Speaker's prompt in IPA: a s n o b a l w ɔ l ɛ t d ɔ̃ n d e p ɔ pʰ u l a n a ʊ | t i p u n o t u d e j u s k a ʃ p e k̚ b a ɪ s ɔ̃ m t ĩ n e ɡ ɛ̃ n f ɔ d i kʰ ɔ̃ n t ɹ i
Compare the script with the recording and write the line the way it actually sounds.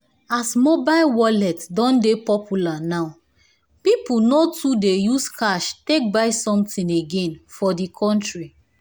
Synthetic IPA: a s m o b a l w ɔ l ɛ t d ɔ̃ n d e p ɔ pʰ u l a n a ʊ | p i p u n o t u d e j u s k a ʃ t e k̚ b a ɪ s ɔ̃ m t ĩ n e ɡ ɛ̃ n f ɔ d i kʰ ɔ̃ n t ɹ i